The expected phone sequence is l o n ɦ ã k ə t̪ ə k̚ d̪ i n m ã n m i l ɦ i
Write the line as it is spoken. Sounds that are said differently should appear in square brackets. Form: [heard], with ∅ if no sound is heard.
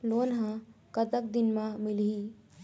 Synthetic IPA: l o n ɦ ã k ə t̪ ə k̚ d̪ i n m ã [∅] m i l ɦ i